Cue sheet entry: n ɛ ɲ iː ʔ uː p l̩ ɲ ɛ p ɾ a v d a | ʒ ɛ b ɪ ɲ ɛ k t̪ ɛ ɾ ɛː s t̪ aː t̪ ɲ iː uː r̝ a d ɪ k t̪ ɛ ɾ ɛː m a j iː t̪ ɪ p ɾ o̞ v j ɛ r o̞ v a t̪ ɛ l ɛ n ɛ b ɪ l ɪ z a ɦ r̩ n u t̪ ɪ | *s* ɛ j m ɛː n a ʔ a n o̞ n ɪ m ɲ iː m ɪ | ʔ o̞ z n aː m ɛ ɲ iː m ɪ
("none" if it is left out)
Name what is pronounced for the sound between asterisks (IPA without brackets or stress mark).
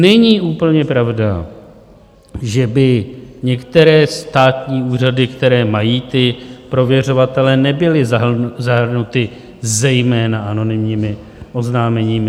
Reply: z